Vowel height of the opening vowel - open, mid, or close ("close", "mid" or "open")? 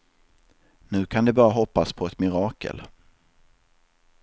close